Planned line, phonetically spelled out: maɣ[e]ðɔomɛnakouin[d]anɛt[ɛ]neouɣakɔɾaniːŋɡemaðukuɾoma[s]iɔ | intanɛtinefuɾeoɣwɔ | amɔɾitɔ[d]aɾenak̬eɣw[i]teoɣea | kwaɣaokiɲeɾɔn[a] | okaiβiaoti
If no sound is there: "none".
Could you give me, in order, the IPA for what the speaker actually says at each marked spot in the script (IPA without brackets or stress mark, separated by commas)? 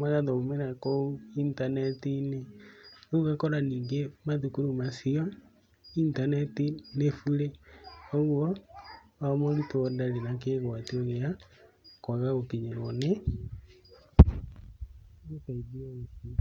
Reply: a, t, i, s, d, a, e